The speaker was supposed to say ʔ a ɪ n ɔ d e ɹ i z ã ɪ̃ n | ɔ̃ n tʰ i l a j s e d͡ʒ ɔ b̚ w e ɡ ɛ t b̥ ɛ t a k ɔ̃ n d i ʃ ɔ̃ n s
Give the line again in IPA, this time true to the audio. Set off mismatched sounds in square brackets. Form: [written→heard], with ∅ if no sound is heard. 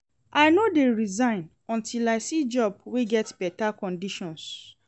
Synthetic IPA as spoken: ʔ a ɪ n [ɔ→o] d e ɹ i z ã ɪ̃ n | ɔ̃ n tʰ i l a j s [e→i] d͡ʒ ɔ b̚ w e ɡ ɛ t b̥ ɛ t a k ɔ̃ n d i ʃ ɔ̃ n s

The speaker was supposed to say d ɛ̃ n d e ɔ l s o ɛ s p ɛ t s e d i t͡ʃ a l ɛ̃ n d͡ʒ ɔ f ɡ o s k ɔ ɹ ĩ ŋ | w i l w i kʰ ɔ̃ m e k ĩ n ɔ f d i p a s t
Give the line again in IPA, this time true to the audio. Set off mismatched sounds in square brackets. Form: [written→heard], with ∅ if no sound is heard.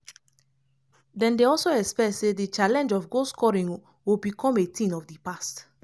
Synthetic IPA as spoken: d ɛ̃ n d e ɔ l s o ɛ s p ɛ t s e d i t͡ʃ a l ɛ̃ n d͡ʒ ɔ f ɡ o s k ɔ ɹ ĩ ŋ | w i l [w→b] i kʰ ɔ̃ m e [k→t] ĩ n ɔ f d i p a s t

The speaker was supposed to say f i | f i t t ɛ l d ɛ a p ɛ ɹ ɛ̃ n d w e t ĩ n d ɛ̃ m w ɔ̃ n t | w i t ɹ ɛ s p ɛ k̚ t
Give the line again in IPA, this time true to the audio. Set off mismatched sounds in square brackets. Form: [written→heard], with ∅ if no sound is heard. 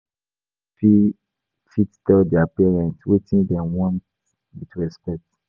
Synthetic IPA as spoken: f i | f i t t ɛ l d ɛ a p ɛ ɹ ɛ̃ n [d→t] w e t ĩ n d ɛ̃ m w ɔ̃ n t | w i t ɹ ɛ s p ɛ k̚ t

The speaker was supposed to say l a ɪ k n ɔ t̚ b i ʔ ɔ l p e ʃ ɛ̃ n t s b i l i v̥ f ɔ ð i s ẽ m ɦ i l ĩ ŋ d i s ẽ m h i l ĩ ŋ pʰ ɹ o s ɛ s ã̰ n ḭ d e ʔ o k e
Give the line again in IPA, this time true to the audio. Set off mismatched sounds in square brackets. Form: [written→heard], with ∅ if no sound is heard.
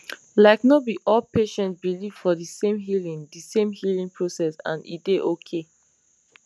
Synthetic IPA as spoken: l a ɪ k n ɔ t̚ b i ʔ ɔ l p e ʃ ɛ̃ n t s b i l i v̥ f ɔ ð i s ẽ m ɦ i l ĩ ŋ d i s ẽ m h i l ĩ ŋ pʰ ɹ o s ɛ s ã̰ n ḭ d e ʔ o [k→kʰ] e

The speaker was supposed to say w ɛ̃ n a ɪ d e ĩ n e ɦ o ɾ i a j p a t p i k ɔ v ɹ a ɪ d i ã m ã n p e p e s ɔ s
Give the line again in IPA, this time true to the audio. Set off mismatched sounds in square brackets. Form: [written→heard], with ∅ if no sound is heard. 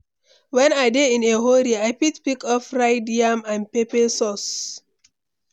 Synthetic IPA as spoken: w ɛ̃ n a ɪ d e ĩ n e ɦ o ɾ i a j p [a→i] t p i k ɔ [v→f] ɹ a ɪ d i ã m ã n p e p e s ɔ s

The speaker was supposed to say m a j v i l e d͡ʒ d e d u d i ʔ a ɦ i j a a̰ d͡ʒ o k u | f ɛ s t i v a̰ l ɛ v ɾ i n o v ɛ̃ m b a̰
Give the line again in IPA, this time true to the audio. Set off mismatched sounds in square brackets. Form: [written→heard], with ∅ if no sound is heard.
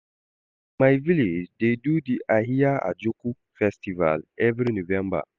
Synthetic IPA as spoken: m a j v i l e d͡ʒ d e d u d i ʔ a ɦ i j a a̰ d͡ʒ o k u | f ɛ s t i v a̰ l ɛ v ɾ i n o v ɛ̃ m b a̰

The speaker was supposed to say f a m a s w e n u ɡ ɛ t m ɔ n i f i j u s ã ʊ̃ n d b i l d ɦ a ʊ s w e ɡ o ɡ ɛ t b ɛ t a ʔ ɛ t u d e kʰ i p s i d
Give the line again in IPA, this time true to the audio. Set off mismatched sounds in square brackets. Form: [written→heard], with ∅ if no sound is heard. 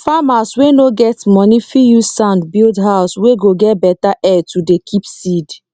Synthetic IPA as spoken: f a m a s w e n [u→o] ɡ ɛ t m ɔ n i f i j u s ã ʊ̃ n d b i l d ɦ a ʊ s w e ɡ o ɡ ɛ t b ɛ t a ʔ ɛ t u d e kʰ i p s i d

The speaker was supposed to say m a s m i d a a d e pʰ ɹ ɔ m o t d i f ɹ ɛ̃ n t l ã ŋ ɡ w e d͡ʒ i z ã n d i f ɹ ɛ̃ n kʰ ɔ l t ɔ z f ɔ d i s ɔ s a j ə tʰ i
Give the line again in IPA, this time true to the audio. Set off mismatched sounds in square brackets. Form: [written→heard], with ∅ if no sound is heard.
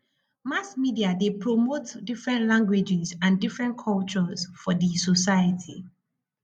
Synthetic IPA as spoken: m a s m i d [a→i] a d e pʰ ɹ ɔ m o t d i f ɹ ɛ̃ n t l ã ŋ ɡ w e d͡ʒ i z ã n d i f ɹ ɛ̃ n kʰ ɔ l [t→t͡ʃ] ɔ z f ɔ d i s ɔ s a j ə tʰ i

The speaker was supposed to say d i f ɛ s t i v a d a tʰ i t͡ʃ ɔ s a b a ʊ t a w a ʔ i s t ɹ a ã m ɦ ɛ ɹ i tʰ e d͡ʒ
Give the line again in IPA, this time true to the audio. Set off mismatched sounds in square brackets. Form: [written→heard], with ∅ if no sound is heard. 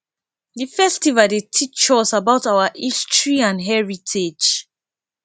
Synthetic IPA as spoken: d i f ɛ s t i v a d [a→e] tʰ i t͡ʃ ɔ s a b a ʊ t a w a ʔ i s t ɹ [a→i] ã [m→n] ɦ ɛ ɹ i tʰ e d͡ʒ

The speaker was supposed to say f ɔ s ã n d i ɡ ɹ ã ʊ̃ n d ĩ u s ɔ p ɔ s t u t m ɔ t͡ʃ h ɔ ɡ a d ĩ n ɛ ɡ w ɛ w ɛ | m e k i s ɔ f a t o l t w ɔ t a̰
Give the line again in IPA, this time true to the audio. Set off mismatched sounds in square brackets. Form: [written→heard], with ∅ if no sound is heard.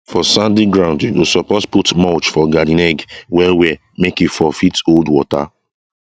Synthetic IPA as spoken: f ɔ s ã n d i ɡ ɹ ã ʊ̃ n d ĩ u s ɔ p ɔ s [t→p] u t m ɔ t͡ʃ [h→f] ɔ ɡ a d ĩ n ɛ ɡ w ɛ w ɛ | m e k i [s→f] ɔ f [a→i] t o l [t→d] w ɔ t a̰

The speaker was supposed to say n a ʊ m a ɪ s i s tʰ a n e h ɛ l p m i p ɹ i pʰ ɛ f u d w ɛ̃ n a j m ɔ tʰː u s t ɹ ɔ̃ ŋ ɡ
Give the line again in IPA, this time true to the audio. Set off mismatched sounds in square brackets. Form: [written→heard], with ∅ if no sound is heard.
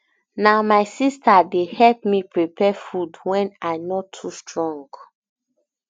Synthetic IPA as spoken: n a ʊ m a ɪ s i s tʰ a [n→d] e h ɛ l p m i p ɹ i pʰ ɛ f u d w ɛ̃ n a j [m→n] ɔ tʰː u s t ɹ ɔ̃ ŋ ɡ

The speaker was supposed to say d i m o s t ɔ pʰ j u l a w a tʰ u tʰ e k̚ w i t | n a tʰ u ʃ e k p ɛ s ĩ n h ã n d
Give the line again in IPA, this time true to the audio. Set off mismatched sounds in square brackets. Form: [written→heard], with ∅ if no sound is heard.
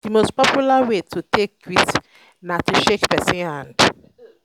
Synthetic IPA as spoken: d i m o s [t→p] ɔ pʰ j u l a w [a→e] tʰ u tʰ e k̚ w i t | n a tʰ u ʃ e k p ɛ s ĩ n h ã n d

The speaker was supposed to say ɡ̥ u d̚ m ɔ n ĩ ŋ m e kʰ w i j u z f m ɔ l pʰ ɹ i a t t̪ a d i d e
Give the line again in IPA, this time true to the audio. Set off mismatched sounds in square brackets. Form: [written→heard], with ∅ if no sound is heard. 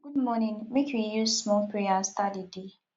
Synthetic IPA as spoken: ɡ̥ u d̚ m ɔ n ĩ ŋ m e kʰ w i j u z [f→s] m ɔ l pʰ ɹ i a [t→s] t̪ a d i d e

